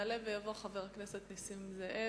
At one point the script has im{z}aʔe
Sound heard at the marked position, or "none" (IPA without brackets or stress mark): z